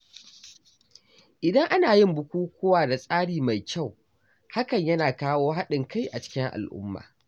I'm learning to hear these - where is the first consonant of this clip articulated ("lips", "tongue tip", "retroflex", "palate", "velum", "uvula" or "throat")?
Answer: throat